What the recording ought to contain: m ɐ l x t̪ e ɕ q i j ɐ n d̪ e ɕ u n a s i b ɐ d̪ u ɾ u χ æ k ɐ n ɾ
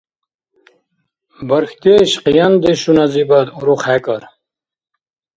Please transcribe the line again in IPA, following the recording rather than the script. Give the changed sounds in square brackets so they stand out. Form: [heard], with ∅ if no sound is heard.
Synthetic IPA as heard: [b] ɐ [ɾ] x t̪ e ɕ q i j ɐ n d̪ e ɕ u n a [z] i b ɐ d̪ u ɾ u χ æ k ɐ [∅] ɾ